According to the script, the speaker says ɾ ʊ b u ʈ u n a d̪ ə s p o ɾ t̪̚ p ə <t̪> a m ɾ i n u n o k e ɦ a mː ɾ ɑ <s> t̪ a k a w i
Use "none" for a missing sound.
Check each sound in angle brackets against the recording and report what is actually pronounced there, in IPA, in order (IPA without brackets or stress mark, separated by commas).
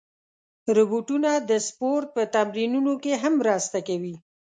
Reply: t̪, s